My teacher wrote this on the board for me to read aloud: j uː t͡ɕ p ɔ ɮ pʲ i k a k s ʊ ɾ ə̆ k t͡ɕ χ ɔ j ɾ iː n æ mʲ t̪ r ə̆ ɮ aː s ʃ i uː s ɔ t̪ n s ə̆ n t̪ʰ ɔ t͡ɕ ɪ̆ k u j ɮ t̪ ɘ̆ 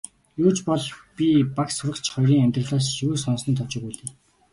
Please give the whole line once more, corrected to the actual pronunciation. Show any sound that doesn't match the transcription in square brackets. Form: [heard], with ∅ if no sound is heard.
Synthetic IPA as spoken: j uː t͡ɕ p ɔ ɮ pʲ i [p] a k s ʊ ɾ ə̆ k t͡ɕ χ ɔ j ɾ iː [ŋ] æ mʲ t̪ r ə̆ ɮ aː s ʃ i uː s ɔ [∅] n s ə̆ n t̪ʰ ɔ t͡ɕ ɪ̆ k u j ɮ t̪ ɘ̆